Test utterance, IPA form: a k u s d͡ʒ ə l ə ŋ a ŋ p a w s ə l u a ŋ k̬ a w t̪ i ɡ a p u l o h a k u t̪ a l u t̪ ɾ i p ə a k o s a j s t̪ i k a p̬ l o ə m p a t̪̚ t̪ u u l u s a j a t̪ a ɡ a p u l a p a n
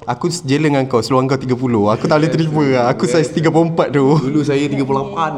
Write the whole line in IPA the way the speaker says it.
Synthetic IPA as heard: a k u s d͡ʒ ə l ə ŋ a ŋ k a w s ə l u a ŋ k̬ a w t̪ i ɡ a p u l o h a k u t̪ a l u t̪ ɾ i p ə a k u s a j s t̪ i ɡ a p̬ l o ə m p a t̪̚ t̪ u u l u s a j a t̪ i ɡ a p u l a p a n